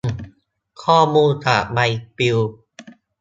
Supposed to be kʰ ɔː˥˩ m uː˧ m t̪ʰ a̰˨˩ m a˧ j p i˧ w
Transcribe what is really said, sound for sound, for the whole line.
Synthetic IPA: kʰ ɔː˥˩ m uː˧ n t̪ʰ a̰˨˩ m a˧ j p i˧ w

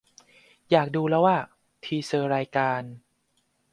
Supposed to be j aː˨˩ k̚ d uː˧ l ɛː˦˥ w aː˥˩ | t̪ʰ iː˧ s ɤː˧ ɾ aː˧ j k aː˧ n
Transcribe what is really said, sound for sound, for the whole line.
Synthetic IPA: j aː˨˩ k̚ d uː˧ l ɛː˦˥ w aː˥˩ | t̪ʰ iː˧ s ɤː˧ ɾ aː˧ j k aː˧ n

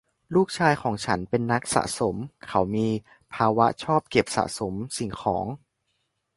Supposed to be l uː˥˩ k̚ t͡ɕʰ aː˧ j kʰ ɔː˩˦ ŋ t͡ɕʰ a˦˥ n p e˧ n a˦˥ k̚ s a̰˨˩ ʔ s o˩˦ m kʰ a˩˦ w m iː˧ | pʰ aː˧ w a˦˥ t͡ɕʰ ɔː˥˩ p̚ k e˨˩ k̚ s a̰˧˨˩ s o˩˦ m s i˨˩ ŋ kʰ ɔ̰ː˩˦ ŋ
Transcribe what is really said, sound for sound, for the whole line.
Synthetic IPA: l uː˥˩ k̚ t͡ɕʰ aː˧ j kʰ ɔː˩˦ ŋ t͡ɕʰ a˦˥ n p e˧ nː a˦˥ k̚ s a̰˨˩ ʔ s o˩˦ m kʰ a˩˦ w m iː˧ | pʰ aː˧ w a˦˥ t͡ɕʰ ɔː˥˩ p̚ k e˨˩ p̚ s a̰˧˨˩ s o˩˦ m s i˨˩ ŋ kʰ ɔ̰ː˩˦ ŋ

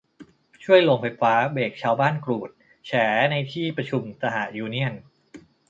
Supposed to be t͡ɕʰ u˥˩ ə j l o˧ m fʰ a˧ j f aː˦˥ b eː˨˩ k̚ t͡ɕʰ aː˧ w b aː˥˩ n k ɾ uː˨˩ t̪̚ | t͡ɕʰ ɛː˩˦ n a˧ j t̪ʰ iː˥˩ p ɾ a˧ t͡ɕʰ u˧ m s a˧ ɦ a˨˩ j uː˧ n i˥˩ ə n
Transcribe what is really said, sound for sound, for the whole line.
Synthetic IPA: t͡ɕʰ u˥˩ ə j l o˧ ŋ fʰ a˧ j f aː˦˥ b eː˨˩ k̚ t͡ɕʰ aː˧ w b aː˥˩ n k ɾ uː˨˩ t̪̚ | t͡ɕʰ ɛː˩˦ n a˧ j t̪ʰ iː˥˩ p ɾ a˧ t͡ɕʰ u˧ m s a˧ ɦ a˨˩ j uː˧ n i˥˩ ə n

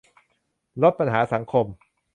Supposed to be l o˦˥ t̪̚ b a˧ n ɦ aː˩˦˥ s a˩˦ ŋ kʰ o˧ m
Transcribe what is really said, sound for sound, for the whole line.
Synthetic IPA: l o˦˥ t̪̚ p a˧ n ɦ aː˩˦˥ s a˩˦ ŋ kʰ o˧ m

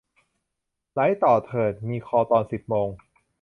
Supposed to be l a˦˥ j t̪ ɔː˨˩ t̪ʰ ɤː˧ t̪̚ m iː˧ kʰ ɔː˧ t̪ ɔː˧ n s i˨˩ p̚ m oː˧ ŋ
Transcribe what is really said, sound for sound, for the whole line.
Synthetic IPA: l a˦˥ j t̪ ɔː˨˩ t̪ʰ ɤː˨˩ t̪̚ m iː˧ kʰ ɔː˧ t̪ ɔː˧ n s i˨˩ p̚ m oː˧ ŋ

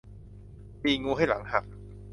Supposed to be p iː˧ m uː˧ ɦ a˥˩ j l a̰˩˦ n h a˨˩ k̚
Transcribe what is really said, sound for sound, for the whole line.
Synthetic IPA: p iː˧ ŋ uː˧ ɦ a˥˩ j l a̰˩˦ ŋ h a˨˩ k̚

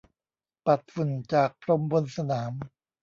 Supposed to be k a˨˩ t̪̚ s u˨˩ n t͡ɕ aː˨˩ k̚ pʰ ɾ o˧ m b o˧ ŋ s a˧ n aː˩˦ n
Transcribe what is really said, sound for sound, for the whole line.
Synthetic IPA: p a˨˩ t̪̚ f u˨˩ n t͡ɕ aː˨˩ k̚ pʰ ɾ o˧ m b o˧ n s a˧ n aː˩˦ m

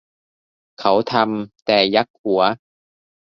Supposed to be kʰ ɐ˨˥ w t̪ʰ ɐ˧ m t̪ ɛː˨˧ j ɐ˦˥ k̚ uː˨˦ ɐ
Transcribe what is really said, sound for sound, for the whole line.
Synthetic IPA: kʰ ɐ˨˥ w t̪ʰ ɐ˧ m t̪ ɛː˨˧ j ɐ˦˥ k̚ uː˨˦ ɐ

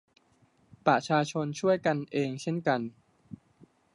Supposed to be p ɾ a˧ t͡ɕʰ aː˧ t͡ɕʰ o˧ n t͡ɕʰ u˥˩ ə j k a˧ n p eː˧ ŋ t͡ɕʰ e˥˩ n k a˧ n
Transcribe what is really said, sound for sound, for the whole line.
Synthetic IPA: p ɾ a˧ t͡ɕʰ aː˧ t͡ɕʰ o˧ n t͡ɕʰ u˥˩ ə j k a˧ n ʔ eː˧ ŋ t͡ɕʰ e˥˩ n k a˧ n

